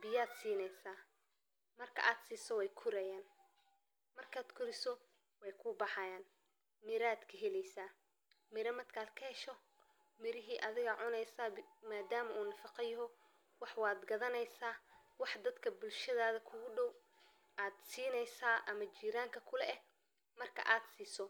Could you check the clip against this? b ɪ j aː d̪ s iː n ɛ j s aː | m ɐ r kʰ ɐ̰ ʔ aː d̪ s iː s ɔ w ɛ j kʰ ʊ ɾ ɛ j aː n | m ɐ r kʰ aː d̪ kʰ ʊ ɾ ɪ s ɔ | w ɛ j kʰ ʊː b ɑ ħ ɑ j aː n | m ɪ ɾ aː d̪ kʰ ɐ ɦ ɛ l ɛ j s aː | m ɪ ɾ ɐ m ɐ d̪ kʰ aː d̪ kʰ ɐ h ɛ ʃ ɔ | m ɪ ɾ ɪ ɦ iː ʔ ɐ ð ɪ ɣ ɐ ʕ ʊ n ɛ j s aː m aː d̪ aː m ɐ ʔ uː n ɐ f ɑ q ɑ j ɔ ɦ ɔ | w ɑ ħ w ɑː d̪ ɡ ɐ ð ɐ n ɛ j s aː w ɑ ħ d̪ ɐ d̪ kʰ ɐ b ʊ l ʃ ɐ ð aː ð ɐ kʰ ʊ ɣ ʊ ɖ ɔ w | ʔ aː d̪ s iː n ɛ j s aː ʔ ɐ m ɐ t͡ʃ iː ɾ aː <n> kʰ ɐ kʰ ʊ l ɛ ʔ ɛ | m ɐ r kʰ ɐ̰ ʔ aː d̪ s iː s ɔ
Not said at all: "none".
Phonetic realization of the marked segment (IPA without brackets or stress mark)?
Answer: ŋ